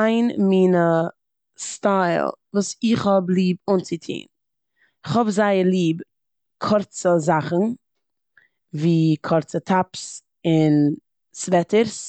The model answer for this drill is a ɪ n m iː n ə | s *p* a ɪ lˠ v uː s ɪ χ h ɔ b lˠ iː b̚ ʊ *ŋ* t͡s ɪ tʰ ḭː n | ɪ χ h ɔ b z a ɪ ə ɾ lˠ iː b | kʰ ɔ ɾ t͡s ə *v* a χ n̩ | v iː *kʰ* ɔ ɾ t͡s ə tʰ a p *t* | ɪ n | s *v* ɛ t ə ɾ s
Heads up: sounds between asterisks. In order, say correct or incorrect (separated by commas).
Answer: incorrect, incorrect, incorrect, correct, incorrect, correct